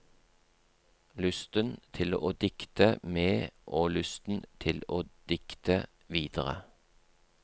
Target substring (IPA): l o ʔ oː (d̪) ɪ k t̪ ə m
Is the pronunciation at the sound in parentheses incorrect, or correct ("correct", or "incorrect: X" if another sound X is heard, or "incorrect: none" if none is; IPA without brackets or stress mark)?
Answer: correct